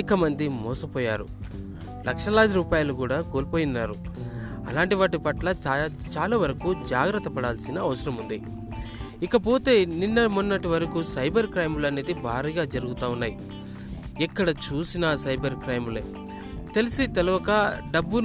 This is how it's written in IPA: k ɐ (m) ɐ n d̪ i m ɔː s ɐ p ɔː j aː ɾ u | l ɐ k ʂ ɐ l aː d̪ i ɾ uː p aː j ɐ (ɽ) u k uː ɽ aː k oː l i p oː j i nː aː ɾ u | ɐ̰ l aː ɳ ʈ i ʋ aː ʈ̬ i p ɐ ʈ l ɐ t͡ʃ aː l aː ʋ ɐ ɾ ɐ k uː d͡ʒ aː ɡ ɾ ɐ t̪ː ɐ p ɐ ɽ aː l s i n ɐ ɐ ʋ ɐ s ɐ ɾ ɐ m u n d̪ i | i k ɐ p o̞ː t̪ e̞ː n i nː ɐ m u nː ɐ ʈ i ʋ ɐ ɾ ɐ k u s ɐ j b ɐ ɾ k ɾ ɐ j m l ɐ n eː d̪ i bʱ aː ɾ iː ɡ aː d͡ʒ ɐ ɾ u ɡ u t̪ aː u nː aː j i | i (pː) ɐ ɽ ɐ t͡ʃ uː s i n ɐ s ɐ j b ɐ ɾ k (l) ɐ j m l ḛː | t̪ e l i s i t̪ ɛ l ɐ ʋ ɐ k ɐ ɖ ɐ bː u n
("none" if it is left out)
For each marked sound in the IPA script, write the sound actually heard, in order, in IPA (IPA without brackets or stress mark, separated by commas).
m, l, kː, ɾ